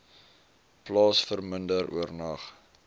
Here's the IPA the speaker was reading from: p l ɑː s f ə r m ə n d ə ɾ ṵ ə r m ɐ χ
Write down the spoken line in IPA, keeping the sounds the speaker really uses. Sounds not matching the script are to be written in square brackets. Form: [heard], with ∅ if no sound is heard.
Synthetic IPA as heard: p l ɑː s f ə r m ə n d ə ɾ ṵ ə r [n] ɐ χ

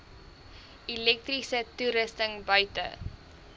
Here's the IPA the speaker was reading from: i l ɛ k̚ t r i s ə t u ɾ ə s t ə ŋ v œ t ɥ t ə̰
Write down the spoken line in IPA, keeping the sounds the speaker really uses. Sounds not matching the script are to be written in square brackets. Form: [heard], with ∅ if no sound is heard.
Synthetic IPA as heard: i l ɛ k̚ t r i s ə t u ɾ ə s t ə ŋ [b] œ [∅] ɥ t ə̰

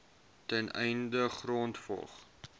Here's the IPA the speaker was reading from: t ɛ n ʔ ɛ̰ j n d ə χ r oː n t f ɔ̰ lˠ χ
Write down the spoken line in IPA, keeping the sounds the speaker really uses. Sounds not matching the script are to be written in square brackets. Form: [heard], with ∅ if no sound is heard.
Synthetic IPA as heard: t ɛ n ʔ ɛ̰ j n d ə χ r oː n t f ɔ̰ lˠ χ

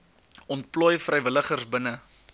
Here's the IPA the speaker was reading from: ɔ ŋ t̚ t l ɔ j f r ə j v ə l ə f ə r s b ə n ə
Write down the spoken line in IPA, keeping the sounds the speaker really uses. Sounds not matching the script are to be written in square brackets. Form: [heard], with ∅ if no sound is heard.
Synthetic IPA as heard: ɔ [n] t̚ [p] l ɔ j f r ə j v ə l ə [χ] ə r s b ə n ə

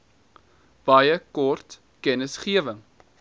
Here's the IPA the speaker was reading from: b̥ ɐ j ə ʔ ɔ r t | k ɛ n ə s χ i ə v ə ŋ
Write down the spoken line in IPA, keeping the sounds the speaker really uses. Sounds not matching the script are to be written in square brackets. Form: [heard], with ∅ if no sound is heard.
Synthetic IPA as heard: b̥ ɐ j ə [k] ɔ r t | k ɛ n ə s χ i ə v ə ŋ

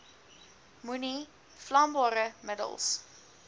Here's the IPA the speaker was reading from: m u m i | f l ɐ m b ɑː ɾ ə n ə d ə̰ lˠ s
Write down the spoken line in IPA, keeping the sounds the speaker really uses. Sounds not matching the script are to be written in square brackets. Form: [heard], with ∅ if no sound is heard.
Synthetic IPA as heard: m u [n] i | f l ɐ m b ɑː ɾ ə [m] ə d ə̰ lˠ s

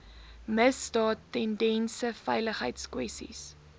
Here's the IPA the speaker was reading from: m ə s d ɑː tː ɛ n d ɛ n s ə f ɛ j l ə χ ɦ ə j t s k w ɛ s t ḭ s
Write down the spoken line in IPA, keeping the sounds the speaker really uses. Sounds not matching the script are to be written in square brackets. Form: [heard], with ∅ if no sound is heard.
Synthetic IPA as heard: m ə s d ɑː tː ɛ n d ɛ n s ə f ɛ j l ə χ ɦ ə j t s k w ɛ s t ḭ s

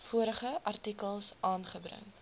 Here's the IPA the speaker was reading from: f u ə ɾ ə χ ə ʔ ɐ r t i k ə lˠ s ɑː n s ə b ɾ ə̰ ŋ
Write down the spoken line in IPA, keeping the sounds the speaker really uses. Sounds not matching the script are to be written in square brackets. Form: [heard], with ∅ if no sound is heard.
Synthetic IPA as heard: f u ə ɾ ə χ ə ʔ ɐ r t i k ə lˠ s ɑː n [χ] ə b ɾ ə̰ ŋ

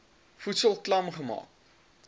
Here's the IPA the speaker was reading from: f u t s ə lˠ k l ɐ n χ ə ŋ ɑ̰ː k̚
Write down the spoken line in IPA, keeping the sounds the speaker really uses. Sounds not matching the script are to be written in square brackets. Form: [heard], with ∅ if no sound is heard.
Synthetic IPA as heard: f u t s ə lˠ k l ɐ [m] χ ə [m] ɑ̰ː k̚

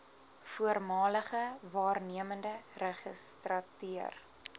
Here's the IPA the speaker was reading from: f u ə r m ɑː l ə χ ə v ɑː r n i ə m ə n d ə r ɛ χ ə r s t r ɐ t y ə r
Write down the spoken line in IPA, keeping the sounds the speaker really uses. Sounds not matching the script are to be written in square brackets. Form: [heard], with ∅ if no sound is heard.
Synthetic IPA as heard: f u ə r m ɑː l ə χ ə v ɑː r n i ə m ə n d ə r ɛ χ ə [∅] s t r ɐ t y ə r

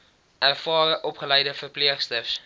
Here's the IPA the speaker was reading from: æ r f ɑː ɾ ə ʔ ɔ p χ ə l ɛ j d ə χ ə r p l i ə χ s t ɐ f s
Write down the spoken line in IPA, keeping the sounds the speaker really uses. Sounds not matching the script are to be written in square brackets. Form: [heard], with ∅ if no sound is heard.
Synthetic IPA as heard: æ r f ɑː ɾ ə ʔ ɔ p χ ə l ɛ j d ə [f] ə r p l i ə χ s t [ə] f s

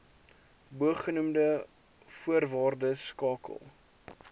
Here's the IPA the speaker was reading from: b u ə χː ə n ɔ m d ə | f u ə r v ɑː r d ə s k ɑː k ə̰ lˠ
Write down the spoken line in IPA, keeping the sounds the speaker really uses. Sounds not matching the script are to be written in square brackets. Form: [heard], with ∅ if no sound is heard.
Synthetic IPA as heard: b u ə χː ə n [u] m d ə | f u ə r v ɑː r d ə s k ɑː k ə̰ lˠ

